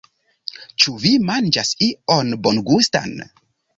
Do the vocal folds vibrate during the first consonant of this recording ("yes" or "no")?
no